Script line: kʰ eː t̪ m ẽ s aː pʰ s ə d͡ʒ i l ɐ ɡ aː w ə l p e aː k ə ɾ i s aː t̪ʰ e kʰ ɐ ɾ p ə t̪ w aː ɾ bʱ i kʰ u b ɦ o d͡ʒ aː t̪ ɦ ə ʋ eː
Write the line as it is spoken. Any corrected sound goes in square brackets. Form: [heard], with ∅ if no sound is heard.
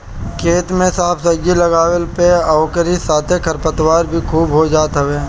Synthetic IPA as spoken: kʰ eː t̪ m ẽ s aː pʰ s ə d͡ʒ i l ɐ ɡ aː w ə l p e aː k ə ɾ i s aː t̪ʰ e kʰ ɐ ɾ p ə t̪ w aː ɾ bʱ i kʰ [uː] b ɦ o d͡ʒ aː t̪ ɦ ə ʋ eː